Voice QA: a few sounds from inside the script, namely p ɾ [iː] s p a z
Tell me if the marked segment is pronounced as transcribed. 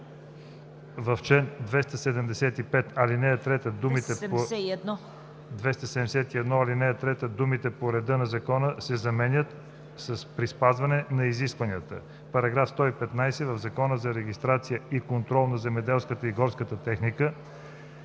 no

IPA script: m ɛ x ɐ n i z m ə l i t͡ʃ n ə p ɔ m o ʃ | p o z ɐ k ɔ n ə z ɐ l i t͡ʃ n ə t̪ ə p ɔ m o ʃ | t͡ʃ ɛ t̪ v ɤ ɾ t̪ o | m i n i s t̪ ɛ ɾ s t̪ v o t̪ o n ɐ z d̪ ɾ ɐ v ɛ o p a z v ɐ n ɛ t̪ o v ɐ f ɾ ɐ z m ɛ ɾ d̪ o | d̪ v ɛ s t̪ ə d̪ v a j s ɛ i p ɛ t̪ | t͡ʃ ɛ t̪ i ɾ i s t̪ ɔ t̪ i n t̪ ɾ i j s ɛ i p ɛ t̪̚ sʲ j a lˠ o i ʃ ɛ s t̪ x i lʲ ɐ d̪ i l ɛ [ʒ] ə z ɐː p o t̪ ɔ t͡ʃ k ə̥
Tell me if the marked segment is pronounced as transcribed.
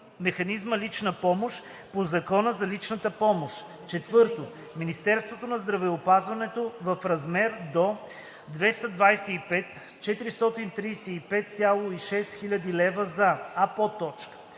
no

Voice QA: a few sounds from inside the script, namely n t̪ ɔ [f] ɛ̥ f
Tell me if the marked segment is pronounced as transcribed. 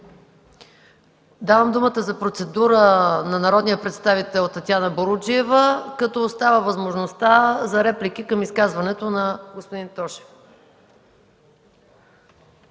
no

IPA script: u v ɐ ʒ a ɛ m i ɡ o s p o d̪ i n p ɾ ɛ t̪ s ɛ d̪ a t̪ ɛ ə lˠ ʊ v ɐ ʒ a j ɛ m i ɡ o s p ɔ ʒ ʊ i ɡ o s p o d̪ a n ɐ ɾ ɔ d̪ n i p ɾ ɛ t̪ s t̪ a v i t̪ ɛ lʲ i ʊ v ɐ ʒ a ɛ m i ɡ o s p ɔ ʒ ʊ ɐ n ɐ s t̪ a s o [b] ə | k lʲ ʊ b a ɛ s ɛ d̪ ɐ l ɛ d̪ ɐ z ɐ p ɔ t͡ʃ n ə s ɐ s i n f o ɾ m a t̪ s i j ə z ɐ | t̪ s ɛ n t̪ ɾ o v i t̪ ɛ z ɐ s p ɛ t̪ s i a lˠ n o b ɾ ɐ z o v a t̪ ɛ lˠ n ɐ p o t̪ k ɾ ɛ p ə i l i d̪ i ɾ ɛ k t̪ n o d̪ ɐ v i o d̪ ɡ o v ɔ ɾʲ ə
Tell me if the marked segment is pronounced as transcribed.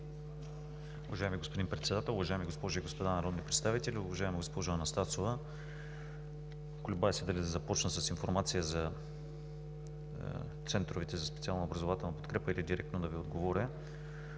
no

